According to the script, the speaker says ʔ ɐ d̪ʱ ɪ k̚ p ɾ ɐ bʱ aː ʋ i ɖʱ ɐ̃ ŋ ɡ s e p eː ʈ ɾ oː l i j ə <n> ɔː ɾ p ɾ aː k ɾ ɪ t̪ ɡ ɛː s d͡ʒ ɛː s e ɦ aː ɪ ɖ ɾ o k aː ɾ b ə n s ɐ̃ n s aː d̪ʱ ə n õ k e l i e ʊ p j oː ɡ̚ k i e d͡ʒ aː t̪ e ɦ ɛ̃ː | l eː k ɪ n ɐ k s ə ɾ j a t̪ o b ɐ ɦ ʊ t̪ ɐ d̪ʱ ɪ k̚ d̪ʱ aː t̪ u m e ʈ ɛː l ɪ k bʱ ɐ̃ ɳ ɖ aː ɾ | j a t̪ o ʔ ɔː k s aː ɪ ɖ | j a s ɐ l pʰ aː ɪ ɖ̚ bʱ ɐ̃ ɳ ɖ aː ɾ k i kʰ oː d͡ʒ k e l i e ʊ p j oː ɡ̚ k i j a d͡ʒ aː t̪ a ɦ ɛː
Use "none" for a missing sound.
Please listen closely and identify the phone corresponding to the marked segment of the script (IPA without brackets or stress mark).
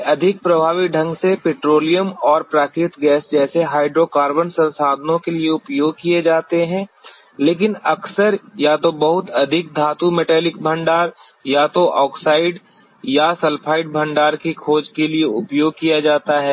m